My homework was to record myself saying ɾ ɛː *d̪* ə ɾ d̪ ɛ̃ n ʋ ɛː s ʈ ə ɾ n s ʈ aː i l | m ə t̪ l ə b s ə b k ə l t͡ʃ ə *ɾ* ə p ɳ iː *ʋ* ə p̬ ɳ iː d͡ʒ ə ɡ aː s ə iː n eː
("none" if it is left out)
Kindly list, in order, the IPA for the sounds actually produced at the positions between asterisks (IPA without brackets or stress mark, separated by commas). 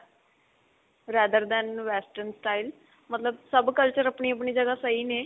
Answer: d̪, ɾ, none